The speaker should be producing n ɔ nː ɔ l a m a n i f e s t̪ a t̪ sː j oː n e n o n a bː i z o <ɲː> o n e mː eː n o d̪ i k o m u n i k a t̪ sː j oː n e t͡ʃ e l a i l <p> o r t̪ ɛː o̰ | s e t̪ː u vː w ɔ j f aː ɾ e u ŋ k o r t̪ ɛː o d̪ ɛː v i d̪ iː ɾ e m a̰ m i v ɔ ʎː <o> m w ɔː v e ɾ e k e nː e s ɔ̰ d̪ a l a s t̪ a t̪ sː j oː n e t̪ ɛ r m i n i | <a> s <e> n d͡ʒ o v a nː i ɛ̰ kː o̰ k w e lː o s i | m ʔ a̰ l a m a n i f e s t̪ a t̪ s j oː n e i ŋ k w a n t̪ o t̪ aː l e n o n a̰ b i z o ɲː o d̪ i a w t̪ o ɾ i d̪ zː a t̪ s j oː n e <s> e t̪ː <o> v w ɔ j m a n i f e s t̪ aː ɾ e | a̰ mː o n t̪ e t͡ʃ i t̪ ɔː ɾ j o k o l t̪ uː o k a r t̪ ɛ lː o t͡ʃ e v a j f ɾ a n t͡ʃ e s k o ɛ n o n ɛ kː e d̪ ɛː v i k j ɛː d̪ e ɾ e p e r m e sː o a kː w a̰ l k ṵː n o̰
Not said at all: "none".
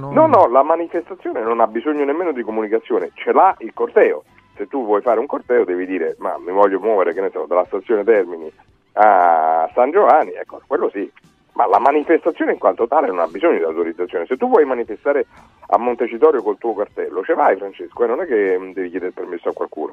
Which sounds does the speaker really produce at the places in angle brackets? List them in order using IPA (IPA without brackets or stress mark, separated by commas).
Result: ɲː, k, o, a, a, s, u